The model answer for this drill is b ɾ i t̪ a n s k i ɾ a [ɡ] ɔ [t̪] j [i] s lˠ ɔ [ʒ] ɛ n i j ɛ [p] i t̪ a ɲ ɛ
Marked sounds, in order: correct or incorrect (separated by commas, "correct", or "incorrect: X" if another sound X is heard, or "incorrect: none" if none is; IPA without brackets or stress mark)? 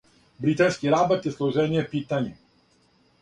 incorrect: b, correct, incorrect: ɛ, correct, correct